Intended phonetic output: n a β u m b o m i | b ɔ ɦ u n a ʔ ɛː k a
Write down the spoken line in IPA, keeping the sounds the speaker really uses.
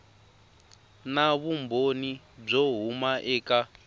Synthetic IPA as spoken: n a β u m b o n i | b͡ʐ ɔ ɦ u m a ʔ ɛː k a

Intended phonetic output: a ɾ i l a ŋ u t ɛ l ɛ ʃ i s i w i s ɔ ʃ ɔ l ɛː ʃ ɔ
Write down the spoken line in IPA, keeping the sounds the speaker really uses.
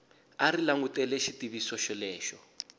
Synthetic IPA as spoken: a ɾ i l a ŋ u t ɛ l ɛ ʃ i t i β i s ɔ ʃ ɔ l ɛː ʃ ɔ

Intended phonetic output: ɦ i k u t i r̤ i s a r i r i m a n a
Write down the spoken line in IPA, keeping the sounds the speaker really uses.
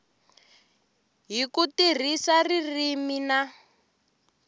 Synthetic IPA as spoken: ɦ i k u t i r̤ i s a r i r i m i n a

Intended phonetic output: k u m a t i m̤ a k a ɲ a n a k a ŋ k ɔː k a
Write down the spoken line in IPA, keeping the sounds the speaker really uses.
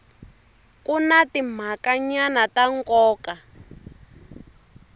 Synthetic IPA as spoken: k u n a t i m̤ a k a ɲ a n a t a ŋ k ɔː k a

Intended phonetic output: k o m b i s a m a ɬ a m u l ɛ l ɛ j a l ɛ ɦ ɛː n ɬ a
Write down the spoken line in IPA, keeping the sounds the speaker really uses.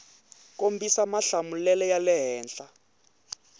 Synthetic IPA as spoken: k o m b i s a m a ɬ a m u l ɛ l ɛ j a l ɛ ɦ ɛː n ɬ a

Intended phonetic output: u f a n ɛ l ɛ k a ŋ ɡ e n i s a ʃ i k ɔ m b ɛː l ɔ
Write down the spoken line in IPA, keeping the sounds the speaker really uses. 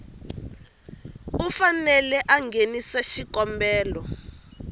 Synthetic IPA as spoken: u f a n ɛ l ɛ ʔ a ŋ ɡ e n i s a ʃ i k ɔ m b ɛː l ɔ

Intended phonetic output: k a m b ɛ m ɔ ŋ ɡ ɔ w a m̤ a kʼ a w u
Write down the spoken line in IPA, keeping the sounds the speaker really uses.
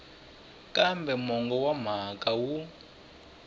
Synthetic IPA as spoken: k a m b ɛ m ɔ ŋ ɡ ɔ w a m̤ a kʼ a w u

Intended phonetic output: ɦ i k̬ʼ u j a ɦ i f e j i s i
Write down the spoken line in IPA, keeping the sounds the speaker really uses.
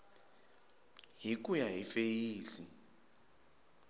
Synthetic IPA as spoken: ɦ i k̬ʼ u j a ɦ i f e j iː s i

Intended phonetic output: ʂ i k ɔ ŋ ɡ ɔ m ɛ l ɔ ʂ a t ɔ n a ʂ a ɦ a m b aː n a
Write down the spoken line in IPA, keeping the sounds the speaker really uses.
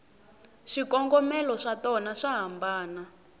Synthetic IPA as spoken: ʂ i k ɔ ŋ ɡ ɔ m ɛ l ɔ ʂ a t ɔ n a ʂ a ɦ a m b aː n a

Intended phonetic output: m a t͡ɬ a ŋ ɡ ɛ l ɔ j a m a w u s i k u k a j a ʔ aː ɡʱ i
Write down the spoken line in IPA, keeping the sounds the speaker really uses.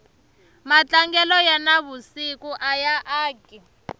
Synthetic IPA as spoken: m a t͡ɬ a ŋ ɡ ɛ l ɔ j a n a β u s i k u ʔ a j a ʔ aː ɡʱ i

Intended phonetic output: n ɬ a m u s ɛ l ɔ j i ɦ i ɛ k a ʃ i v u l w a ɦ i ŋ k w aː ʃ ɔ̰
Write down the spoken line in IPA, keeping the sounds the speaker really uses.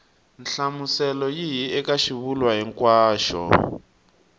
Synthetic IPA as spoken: n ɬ a m u s ɛ l ɔ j i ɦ i ɛ k a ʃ i β u l w a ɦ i ŋ k w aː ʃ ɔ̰

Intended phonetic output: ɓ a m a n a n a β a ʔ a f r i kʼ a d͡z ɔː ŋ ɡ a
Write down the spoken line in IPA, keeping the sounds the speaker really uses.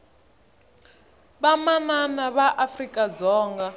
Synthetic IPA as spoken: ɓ a m a n a n a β a ʔ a f r i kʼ a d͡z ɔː ŋ ɡ a

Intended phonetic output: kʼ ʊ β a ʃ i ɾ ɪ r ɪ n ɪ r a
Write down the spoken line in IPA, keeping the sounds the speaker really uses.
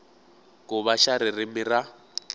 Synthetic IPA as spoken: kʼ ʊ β a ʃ a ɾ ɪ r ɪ m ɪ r a

